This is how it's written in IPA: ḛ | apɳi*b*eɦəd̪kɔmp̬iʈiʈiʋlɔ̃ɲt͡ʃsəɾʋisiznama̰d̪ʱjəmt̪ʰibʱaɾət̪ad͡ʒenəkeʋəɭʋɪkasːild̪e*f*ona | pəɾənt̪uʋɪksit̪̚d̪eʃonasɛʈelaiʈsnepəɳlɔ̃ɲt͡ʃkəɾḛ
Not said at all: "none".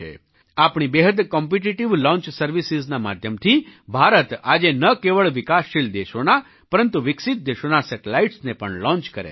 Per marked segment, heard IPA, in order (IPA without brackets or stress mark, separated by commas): b, ʃ